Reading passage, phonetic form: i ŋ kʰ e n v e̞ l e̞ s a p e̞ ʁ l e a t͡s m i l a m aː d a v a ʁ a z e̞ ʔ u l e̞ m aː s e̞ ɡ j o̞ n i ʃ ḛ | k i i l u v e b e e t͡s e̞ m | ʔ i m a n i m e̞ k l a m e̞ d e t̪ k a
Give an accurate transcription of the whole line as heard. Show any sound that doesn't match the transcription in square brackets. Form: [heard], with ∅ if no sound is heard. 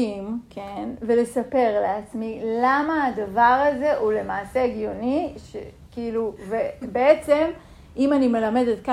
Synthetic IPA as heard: i [m] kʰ e n v e̞ l e̞ s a p e̞ ʁ l e a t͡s m i l a m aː d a v a ʁ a z e̞ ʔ u l e̞ m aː s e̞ ɡ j o̞ n i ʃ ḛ | k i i l u v e b e e t͡s e̞ m | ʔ i m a n i m e̞ [∅] l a m e̞ d e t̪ k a